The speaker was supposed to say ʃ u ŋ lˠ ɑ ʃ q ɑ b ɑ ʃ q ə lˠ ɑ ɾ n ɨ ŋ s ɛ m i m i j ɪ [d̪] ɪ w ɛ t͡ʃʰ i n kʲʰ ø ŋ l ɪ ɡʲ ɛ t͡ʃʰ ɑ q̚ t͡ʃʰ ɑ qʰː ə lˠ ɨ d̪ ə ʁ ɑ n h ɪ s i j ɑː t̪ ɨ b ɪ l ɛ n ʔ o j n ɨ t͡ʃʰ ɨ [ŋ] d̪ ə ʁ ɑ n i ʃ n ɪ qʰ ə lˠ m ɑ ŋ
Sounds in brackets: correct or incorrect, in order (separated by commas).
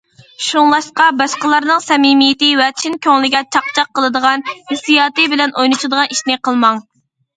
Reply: incorrect, incorrect